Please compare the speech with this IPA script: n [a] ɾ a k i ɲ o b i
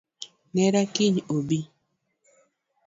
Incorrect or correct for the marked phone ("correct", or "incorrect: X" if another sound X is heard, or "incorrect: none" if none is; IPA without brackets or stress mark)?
incorrect: ɛ